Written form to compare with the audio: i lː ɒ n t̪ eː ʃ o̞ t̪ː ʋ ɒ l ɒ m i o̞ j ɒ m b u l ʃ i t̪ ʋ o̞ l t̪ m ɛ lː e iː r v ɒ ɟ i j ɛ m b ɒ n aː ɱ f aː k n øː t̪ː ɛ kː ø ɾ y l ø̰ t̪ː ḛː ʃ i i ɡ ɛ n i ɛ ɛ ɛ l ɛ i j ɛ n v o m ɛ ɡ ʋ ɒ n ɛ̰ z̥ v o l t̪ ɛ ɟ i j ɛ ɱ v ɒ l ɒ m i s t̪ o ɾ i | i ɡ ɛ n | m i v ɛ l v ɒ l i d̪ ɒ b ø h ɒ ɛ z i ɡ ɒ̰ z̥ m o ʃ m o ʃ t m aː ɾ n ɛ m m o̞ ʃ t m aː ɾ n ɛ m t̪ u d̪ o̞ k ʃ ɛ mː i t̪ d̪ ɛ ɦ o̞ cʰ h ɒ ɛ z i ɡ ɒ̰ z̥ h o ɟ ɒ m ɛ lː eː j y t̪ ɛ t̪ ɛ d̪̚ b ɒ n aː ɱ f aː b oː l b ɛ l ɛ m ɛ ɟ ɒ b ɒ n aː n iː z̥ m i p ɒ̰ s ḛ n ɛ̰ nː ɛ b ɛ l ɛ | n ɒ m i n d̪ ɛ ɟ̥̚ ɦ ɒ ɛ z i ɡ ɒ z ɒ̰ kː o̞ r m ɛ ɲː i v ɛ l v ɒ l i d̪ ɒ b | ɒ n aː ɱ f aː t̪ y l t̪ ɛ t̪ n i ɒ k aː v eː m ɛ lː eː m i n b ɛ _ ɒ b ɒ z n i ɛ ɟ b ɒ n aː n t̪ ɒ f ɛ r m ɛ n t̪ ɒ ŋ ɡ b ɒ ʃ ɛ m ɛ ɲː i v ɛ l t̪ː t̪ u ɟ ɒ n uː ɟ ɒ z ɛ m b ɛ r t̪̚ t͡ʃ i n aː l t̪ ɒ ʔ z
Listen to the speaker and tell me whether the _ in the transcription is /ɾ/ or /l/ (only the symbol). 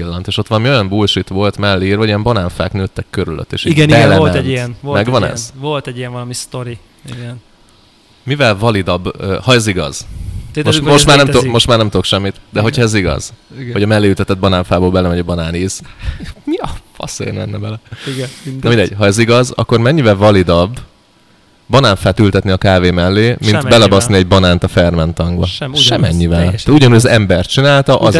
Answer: l